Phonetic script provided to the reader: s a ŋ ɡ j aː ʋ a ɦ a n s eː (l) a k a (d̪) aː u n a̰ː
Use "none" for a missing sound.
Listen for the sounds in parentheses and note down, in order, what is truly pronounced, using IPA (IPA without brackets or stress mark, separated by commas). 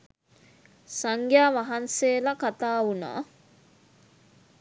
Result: l, t̪